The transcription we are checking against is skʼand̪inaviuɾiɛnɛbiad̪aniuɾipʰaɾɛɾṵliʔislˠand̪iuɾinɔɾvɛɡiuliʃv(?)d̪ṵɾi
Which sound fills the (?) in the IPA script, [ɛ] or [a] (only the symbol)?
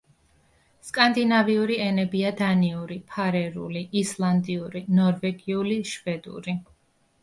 ɛ